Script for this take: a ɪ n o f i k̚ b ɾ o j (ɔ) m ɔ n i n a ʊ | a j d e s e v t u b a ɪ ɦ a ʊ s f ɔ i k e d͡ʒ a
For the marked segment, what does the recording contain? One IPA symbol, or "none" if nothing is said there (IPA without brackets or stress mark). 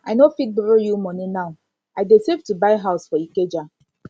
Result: u